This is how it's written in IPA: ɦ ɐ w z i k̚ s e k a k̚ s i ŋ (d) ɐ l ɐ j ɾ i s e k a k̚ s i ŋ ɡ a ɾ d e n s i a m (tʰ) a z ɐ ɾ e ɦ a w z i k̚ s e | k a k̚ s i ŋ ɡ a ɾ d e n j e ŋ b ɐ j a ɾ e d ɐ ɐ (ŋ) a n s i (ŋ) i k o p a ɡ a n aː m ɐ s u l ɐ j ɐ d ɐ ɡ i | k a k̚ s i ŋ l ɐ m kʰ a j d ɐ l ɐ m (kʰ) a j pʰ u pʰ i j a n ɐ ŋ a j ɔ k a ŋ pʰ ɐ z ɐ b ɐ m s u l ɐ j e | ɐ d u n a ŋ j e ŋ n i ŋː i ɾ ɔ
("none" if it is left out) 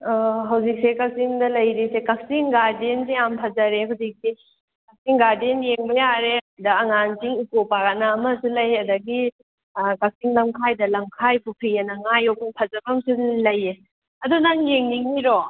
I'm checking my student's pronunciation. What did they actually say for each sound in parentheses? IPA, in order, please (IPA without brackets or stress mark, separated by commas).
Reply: d, pʰ, ŋ, ŋ, kʰ